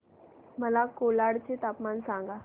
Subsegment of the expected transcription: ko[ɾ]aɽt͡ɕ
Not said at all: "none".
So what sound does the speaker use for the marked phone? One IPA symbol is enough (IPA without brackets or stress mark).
l